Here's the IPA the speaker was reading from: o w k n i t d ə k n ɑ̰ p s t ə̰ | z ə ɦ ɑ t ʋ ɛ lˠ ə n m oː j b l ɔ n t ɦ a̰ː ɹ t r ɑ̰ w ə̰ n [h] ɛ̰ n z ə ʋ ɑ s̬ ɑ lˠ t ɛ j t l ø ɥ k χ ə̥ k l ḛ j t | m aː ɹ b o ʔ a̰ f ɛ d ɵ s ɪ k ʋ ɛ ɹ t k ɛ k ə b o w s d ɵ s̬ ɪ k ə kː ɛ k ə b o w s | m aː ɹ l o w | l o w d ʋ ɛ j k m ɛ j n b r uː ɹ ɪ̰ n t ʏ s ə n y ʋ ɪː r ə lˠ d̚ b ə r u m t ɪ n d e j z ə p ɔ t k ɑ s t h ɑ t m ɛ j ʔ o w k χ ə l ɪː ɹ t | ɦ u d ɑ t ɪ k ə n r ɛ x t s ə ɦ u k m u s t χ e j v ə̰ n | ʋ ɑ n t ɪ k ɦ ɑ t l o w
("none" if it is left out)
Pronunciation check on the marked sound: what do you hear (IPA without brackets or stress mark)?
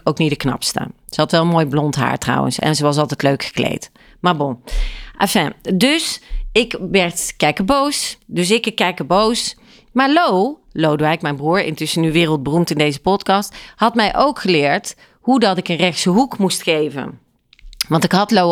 s